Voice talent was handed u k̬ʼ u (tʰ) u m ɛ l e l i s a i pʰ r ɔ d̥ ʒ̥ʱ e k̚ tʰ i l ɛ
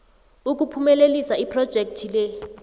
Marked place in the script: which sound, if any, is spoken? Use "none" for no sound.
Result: pʰ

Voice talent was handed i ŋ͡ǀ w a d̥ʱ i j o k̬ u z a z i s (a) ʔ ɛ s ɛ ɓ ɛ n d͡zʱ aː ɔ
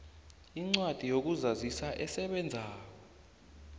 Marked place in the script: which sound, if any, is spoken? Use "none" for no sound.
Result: a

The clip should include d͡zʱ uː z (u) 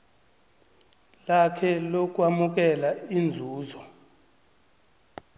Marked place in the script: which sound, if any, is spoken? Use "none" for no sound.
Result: ɔ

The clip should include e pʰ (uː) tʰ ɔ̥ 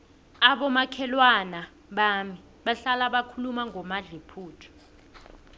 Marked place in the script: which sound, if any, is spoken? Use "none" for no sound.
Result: uː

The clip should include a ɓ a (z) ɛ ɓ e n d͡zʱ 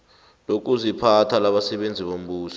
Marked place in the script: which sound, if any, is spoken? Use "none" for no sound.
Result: s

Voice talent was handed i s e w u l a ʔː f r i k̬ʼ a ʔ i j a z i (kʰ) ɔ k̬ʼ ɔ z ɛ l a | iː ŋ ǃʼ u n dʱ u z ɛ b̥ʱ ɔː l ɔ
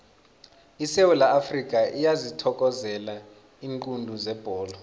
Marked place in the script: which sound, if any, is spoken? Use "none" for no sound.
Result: tʰ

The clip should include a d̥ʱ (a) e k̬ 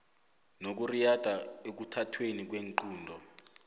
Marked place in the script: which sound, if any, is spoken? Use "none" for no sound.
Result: a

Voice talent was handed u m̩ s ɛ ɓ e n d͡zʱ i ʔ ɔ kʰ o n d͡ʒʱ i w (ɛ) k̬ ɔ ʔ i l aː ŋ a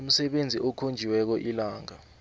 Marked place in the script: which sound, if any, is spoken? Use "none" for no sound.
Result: ɛ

